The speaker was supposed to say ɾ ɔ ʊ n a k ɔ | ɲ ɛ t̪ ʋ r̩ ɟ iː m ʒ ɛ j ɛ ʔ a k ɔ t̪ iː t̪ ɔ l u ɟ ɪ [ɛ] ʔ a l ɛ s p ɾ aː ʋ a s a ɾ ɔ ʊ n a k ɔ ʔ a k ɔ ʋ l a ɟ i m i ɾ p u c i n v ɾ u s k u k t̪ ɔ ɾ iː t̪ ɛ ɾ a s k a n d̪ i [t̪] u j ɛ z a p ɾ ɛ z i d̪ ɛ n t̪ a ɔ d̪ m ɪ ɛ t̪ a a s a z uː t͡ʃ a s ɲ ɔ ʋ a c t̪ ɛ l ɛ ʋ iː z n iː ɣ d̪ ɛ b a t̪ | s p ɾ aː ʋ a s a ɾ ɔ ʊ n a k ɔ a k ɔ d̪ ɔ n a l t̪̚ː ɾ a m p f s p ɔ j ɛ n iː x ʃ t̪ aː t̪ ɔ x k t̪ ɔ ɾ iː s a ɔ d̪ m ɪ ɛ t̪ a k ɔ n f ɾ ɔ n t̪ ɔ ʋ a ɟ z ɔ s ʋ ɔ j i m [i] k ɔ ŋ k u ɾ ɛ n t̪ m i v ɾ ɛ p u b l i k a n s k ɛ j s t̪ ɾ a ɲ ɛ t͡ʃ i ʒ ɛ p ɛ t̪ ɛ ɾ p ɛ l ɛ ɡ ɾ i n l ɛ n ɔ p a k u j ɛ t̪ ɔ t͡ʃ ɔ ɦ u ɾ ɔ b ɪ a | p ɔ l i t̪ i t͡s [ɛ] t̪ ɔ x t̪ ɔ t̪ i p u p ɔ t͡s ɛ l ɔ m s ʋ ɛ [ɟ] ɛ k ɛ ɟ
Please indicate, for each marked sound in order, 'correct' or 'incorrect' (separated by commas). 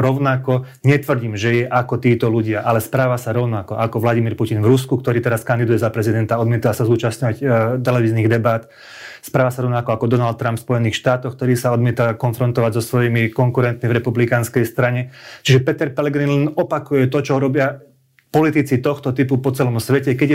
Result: incorrect, incorrect, correct, incorrect, incorrect